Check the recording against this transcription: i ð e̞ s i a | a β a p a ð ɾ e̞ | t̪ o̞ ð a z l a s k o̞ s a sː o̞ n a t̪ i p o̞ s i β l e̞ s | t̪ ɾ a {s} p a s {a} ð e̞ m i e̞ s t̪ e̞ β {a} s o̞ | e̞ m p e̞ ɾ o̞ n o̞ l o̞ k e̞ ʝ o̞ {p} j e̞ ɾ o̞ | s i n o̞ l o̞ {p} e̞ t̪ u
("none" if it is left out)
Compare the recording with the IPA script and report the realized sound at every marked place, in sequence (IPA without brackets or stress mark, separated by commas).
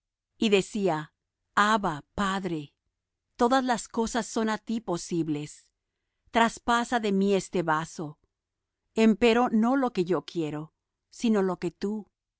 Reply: s, a, a, k, k